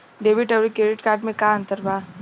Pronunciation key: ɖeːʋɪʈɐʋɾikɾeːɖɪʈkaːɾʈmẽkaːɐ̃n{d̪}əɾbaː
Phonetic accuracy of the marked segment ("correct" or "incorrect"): incorrect